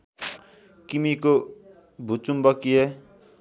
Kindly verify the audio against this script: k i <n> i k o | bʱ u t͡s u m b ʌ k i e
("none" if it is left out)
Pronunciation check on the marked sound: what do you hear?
m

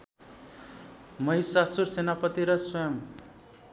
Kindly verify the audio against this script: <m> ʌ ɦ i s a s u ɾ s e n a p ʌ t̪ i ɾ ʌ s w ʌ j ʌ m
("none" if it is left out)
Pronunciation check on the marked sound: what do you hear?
m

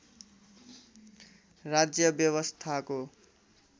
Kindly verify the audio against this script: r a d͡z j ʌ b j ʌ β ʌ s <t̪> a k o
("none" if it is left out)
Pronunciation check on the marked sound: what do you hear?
t̪ʰ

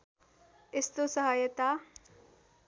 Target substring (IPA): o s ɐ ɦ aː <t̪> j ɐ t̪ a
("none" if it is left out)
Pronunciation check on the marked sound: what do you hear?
none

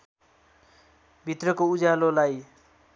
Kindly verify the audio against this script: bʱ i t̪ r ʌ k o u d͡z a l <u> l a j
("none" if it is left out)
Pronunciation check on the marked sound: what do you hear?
o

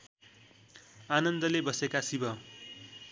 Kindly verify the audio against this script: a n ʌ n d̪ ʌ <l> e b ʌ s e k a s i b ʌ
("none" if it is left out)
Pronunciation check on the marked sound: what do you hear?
l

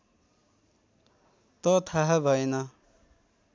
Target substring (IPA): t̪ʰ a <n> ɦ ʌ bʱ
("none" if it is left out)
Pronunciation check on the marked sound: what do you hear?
none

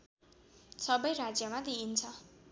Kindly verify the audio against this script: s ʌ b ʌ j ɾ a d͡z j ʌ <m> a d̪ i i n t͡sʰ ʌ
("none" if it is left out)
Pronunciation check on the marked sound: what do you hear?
m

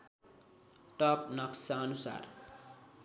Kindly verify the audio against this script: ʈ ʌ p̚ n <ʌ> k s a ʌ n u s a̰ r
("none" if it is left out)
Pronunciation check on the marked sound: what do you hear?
ʌ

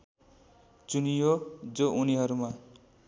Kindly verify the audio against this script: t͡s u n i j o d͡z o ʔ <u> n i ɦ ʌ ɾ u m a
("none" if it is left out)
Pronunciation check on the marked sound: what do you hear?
u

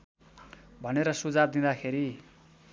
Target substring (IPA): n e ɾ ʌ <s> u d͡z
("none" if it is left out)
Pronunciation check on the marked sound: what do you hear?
s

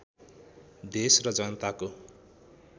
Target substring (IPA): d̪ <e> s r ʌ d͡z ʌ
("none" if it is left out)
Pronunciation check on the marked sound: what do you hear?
e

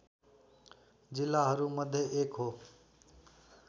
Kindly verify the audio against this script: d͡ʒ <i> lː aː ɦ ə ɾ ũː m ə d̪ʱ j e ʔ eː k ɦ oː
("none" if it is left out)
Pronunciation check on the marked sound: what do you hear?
ɪ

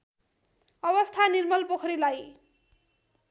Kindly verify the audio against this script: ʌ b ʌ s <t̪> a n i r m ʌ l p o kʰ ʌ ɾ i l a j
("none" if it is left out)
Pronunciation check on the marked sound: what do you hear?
t̪ʰ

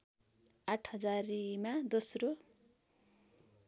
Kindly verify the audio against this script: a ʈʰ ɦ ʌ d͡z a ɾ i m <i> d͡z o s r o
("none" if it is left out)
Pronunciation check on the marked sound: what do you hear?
a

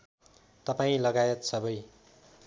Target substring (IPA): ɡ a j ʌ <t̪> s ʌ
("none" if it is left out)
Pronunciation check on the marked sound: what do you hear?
t̪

